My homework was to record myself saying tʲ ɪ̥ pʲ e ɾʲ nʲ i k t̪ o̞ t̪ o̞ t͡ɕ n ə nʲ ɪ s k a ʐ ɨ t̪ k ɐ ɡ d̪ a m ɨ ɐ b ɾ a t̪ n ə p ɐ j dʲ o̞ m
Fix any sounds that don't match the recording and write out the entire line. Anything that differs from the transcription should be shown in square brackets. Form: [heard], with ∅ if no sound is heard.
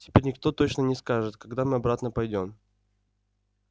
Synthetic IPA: tʲ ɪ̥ pʲ e ɾʲ nʲ [ɪ] k t̪ o̞ t̪ o̞ t͡ɕ n ə nʲ ɪ s k a ʐ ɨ t̪ k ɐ ɡ d̪ a m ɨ ɐ b ɾ a t̪ n ə p ɐ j dʲ o̞ m